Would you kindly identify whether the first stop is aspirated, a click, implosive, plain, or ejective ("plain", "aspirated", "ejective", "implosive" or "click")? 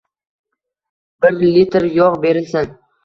plain